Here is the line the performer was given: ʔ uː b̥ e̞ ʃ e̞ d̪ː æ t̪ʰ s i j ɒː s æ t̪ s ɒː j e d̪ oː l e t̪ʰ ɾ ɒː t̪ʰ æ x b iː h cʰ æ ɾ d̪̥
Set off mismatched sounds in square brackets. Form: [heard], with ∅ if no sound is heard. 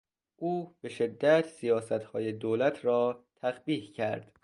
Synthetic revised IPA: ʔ uː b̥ e̞ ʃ e̞ d̪ː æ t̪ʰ s i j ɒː s æ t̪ [h] ɒː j e d̪ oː l [æ] t̪ʰ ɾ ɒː t̪ʰ æ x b iː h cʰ æ ɾ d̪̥